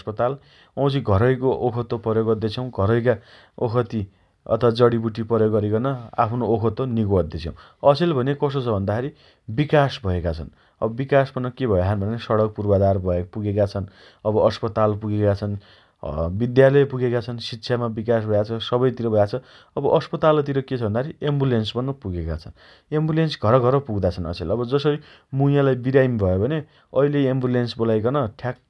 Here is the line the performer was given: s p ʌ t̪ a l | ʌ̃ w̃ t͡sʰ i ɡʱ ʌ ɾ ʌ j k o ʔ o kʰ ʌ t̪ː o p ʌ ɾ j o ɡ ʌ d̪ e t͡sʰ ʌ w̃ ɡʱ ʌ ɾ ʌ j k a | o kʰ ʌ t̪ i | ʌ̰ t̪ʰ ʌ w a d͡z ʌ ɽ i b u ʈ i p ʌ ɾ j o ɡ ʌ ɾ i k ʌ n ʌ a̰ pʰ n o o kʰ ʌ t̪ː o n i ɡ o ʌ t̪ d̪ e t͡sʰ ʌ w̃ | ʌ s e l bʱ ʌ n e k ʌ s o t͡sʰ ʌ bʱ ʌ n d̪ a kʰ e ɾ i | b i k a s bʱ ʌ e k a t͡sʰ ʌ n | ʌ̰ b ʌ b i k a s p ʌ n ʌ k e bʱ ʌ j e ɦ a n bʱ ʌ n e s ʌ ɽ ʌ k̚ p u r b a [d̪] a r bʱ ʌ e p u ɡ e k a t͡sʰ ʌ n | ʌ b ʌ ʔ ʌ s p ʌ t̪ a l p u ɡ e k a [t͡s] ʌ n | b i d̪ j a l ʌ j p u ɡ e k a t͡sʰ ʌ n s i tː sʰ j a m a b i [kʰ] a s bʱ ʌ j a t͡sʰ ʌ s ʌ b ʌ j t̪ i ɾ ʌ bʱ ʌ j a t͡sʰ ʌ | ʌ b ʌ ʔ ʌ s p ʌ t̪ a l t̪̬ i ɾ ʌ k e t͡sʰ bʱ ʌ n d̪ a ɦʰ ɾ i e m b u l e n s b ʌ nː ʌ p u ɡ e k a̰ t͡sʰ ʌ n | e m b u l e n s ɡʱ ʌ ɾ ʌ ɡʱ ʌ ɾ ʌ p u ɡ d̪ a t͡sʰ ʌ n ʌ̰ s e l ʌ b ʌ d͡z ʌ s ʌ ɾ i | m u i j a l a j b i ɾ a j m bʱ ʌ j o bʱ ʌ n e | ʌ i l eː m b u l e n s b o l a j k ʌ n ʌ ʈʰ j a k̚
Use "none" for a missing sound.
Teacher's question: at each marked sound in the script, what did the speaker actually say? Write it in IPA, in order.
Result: d̪, t͡sʰ, k

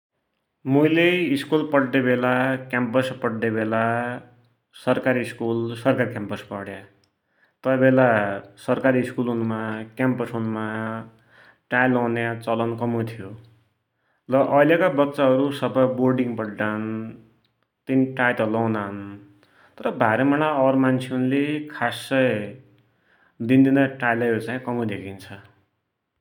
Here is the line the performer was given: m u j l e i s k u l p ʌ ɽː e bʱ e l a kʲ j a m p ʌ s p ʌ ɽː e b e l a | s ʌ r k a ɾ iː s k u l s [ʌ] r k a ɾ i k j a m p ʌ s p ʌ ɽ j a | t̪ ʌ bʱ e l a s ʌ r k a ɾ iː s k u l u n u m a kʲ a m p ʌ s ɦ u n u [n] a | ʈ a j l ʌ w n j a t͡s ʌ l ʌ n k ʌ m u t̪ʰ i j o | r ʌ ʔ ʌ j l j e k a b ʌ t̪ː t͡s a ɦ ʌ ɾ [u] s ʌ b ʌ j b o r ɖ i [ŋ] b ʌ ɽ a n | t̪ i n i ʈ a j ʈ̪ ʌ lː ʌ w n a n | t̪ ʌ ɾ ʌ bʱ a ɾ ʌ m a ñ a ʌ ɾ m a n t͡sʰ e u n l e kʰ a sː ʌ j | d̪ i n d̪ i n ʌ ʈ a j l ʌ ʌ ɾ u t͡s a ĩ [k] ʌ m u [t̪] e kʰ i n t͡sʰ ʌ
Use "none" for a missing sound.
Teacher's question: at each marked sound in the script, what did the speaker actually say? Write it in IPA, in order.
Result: ʌ, m, u, ŋ, k, d̪

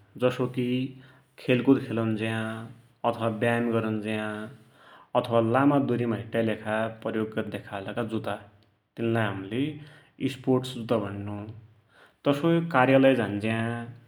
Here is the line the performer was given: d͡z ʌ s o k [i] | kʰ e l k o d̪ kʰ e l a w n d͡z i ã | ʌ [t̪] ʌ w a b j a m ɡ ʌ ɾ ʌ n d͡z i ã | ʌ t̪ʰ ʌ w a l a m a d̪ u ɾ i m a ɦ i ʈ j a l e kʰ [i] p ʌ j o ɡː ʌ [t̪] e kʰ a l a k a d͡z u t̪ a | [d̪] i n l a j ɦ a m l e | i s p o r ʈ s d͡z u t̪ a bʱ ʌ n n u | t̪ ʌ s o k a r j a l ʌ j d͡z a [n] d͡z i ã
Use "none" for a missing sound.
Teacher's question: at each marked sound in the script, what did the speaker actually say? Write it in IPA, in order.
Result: i, t̪ʰ, a, d̪, t̪, n

